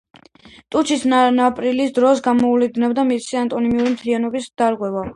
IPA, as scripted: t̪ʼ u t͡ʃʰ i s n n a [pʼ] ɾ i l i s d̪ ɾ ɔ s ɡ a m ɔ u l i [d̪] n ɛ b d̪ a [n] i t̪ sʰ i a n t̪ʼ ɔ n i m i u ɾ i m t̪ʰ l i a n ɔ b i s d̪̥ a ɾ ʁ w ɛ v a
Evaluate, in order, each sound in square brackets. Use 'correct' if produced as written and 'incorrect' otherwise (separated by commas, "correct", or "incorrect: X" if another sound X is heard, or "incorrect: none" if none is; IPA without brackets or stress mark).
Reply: correct, correct, incorrect: m